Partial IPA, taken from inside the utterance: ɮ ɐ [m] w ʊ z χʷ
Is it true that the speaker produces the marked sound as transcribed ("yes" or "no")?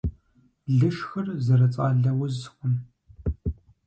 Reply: no